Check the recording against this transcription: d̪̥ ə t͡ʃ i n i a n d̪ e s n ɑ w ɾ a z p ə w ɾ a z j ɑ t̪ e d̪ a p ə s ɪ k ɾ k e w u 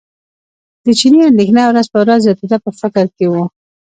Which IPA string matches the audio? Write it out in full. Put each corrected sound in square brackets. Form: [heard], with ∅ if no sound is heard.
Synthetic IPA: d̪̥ ə t͡ʃ i n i a n d̪ e [x] n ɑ w ɾ a z p ə w ɾ a z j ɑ t̪ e d̪ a p ə [f] ɪ k ɾ k e w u